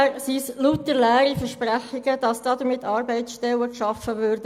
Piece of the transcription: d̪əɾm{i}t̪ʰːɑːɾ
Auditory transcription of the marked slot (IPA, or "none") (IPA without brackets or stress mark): ɪ